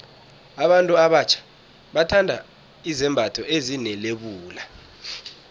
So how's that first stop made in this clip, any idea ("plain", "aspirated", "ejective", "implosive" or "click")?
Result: implosive